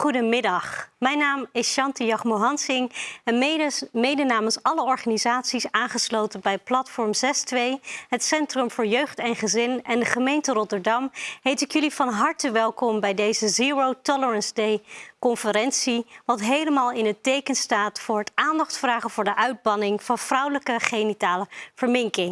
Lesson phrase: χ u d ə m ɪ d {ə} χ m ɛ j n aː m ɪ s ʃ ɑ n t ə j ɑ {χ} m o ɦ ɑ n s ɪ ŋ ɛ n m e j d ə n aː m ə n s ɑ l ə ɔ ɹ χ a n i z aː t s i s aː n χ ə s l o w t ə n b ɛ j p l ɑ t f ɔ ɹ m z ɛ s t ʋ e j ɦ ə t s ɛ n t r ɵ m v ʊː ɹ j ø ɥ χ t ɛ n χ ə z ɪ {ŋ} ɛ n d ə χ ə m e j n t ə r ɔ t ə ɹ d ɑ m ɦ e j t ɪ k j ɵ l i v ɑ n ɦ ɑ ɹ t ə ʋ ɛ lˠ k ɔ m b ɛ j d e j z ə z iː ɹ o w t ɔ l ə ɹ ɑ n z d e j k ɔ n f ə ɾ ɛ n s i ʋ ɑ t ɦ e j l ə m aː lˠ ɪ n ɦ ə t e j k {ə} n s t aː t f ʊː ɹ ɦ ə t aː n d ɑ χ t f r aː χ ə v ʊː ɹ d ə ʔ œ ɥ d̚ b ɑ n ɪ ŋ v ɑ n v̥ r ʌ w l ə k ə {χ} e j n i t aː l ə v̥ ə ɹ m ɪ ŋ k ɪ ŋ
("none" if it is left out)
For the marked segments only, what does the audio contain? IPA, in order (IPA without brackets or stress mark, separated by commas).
ɑ, χ, n, ə, χ